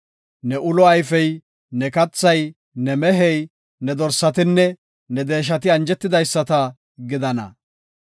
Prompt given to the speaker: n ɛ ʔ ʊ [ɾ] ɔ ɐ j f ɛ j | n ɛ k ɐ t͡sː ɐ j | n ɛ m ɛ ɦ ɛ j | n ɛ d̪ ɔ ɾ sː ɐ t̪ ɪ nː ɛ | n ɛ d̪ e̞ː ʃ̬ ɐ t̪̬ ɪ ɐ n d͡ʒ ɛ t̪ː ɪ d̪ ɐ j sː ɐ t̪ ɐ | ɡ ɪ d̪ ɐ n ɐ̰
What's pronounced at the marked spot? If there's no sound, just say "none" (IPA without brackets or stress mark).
l